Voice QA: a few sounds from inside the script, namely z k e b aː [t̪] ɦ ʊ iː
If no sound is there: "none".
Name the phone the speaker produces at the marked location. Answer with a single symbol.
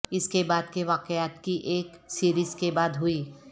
d̪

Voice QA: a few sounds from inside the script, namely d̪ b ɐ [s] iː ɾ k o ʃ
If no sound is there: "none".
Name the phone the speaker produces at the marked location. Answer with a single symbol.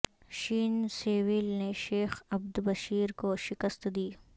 ʃ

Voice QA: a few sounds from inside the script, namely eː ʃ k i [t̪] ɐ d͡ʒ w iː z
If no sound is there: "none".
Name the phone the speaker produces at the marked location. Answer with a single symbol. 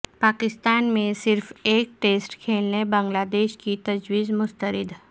t̪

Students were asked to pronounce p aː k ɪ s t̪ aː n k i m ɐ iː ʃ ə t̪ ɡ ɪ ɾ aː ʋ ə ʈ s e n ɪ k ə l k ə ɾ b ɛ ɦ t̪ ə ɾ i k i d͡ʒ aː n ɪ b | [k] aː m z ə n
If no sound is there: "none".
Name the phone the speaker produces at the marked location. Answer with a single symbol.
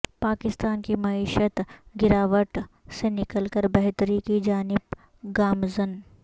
ɡ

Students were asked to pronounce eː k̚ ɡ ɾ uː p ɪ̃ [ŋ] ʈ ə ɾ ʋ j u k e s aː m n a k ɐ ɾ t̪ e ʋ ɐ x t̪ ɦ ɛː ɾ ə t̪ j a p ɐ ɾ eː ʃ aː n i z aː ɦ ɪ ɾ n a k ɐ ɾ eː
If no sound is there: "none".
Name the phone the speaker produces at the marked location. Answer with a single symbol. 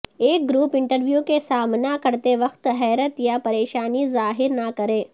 ɳ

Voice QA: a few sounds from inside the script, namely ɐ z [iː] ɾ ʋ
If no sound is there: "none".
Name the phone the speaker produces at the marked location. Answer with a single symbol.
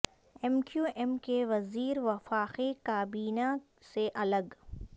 iː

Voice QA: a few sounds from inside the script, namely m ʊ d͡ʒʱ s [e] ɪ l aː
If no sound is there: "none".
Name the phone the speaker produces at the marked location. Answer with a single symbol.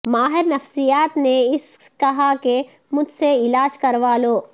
e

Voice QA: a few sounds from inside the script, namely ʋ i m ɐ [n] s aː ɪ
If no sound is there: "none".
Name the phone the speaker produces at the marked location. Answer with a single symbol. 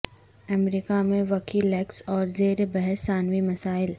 none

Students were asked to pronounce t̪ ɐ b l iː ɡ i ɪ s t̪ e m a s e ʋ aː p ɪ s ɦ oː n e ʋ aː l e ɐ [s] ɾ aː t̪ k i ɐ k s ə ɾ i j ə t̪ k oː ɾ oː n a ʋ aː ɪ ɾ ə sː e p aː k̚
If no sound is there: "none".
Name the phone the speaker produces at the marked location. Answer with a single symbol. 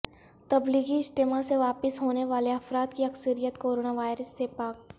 f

